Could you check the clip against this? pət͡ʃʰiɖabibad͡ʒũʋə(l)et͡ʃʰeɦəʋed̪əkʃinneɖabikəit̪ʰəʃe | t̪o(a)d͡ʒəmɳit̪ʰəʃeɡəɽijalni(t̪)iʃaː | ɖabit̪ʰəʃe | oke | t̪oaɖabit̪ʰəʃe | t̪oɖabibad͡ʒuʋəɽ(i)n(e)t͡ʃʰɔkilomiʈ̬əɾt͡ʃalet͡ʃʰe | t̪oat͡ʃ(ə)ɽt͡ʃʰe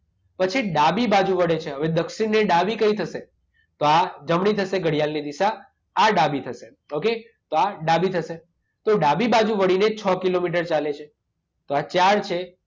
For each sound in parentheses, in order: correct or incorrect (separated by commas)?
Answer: incorrect, correct, incorrect, correct, correct, incorrect